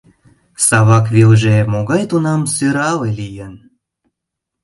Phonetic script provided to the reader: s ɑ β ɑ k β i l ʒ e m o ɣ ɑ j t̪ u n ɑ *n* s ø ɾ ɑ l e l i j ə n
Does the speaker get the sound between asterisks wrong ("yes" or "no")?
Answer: yes